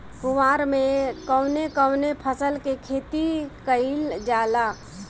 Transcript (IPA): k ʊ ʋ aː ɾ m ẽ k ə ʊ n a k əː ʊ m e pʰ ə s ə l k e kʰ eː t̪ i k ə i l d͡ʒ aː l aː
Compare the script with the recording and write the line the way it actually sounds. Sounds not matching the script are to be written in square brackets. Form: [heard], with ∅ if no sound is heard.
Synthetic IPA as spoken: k ʊ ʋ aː ɾ m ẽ k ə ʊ n [e] k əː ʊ [n] e pʰ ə s ə l k e kʰ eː t̪ i k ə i l d͡ʒ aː l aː

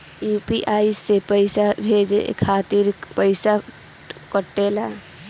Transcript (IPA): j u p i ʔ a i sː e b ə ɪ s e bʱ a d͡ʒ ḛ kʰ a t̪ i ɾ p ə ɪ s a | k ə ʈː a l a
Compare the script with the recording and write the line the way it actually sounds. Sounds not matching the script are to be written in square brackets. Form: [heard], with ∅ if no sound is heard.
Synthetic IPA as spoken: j u p i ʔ a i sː e [p] ə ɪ s [a] bʱ [e] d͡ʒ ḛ kʰ a t̪ i ɾ p ə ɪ s a | k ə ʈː [e] l a

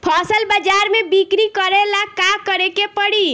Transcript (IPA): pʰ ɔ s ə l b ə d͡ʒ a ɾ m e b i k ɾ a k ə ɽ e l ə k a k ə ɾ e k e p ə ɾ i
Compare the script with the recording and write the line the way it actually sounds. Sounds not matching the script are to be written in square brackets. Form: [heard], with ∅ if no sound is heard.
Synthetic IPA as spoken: pʰ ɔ s ə l b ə d͡ʒ a ɾ m e b i k ɾ [i] k ə [ɾ] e l [a] k a k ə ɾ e k e p ə [ɽ] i

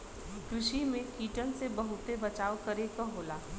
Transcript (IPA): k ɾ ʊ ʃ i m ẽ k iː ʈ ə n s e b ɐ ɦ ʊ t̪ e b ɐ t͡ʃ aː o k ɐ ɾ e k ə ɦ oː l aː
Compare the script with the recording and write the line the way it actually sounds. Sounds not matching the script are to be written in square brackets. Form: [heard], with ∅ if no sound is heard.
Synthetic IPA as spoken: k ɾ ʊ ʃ i m ẽ k iː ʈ ə n s e b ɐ ɦ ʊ t̪ e b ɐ t͡ʃ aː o k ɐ ɾ e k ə ɦ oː l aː

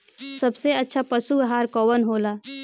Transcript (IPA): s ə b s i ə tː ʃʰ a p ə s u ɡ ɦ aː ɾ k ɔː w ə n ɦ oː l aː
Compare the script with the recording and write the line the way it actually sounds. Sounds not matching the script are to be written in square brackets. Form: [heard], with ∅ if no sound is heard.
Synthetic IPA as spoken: s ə b s [e] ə tː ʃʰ a p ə s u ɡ ɦ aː ɾ k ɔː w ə n ɦ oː l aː

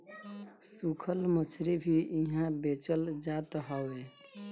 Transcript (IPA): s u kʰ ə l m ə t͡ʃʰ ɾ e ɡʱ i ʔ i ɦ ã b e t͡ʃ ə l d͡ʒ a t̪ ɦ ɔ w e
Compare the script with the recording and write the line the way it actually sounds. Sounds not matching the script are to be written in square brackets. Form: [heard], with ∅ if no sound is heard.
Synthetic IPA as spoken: s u kʰ ə l m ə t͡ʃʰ ɾ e [bʱ] i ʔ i ɦ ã b e t͡ʃ ə l d͡ʒ a t̪ ɦ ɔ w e

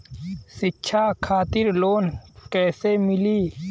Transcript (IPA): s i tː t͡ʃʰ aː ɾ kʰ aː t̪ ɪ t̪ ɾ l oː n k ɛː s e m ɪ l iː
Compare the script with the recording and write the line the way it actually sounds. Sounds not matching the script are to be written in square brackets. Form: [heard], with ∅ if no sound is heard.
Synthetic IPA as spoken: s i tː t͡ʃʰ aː [∅] kʰ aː t̪ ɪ [∅] ɾ l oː n k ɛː s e m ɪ l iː

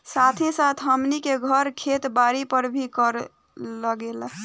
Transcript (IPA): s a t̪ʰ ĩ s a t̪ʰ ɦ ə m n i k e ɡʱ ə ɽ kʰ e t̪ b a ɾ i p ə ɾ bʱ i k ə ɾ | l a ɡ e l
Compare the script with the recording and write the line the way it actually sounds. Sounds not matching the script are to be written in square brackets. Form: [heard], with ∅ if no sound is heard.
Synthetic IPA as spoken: s a t̪ʰ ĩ s a t̪ʰ ɦ ə m n i k e ɡʱ ə [ɾ] kʰ e t̪ b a ɾ i p ə ɾ bʱ i k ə ɾ | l [ə] ɡ e l

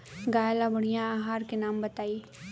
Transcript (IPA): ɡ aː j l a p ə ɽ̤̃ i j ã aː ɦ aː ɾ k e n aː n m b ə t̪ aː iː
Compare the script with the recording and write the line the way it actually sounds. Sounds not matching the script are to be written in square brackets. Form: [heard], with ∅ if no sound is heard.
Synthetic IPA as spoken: ɡ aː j l a [b] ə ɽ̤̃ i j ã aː ɦ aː ɾ k e n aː [∅] m b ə t̪ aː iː

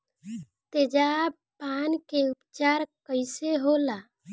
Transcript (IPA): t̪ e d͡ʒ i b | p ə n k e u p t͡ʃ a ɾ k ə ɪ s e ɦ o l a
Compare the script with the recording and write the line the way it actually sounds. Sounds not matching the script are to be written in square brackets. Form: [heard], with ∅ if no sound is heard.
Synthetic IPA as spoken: t̪ e d͡ʒ [a] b | p [a] n k e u p t͡ʃ a ɾ k ə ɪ s e ɦ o l a

